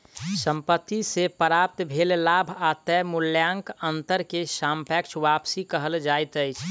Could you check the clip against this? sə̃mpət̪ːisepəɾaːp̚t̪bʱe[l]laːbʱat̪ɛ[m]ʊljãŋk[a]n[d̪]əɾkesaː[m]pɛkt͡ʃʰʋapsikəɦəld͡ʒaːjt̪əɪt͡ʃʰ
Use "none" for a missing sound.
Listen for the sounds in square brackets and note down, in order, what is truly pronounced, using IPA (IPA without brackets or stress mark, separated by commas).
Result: l, m, ə, t̪, m